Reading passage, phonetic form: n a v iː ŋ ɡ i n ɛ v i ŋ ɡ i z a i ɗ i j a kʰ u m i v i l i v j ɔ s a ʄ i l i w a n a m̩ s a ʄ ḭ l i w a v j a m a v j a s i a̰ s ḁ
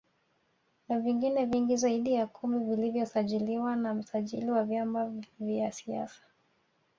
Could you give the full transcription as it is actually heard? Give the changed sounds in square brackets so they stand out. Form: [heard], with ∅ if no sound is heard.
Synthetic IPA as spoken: n a v [i] ŋ ɡ i n ɛ v i ŋ ɡ i z a i ɗ i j a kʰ u m i v i l i v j ɔ s a ʄ i l i w a n a m̩ s a ʄ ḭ l i w a v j a m a v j a s i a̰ s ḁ